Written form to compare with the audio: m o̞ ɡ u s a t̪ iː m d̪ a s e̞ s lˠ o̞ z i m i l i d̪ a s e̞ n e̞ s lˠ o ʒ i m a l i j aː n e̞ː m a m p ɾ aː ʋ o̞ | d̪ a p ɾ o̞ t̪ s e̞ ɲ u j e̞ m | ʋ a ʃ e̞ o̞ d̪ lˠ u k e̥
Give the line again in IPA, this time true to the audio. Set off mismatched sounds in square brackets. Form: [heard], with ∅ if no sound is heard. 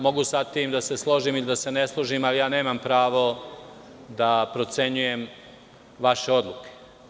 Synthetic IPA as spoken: m o̞ ɡ u s a t̪ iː m d̪ a s e̞ s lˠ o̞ [ʒ] i m i l i d̪ a s e̞ n e̞ s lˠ o ʒ i m a l i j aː n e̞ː m a m p ɾ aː ʋ o̞ | d̪ a p ɾ o̞ t̪ s e̞ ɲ u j e̞ m | ʋ a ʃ e̞ o̞ d̪ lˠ u k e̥